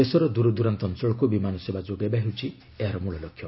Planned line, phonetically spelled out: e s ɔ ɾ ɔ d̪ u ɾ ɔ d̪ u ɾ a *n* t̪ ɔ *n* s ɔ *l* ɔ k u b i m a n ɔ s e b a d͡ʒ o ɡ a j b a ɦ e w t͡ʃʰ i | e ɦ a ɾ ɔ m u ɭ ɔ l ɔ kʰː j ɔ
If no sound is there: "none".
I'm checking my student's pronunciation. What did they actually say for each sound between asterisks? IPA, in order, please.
n, n, ɭ

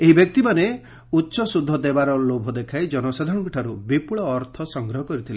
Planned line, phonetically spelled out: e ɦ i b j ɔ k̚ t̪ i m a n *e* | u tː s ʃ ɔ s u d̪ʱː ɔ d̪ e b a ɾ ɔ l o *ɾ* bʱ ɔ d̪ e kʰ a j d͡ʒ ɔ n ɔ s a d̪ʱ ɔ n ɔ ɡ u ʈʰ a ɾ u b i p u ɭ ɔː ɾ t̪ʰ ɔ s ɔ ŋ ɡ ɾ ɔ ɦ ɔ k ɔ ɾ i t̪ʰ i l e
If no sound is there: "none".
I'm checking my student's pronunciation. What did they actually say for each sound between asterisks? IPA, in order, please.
e, none

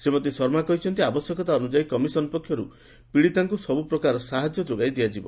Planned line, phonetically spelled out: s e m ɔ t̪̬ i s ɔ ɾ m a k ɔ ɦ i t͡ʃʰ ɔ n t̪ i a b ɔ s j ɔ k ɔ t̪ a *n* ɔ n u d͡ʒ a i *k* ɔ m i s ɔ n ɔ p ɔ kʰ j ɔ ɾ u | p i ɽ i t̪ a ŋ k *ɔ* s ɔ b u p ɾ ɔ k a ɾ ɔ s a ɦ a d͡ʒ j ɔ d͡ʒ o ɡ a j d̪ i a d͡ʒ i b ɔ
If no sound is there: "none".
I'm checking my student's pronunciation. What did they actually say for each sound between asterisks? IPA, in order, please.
none, k, u

